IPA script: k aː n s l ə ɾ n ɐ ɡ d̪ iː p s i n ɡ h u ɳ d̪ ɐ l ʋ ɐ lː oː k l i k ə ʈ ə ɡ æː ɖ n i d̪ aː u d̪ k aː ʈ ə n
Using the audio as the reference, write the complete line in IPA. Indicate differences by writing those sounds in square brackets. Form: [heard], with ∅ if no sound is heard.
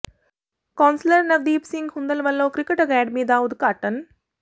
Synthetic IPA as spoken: k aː n s l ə ɾ n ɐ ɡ d̪ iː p s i [ŋ] ɡ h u [n] d̪ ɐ l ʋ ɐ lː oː k [ɾ] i k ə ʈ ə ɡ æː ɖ [m] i d̪ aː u d̪ k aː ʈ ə n